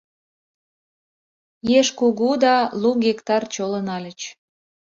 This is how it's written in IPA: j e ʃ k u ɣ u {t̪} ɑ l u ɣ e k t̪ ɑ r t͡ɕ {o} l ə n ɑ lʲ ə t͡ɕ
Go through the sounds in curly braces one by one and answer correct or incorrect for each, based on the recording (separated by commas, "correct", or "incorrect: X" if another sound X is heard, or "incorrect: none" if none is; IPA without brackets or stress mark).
incorrect: d̪, correct